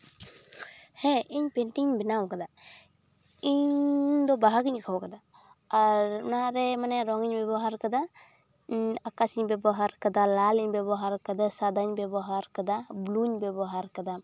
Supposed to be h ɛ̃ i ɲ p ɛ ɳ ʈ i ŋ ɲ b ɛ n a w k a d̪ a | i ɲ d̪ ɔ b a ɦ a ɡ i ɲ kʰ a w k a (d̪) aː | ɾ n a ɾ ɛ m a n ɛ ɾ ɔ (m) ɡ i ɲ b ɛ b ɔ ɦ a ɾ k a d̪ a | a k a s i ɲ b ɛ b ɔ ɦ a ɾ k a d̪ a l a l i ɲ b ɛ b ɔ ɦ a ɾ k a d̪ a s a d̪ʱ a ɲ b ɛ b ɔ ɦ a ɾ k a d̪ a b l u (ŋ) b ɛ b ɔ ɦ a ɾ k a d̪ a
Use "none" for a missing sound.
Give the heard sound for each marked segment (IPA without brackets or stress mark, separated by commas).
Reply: d̪, ŋ, ɲ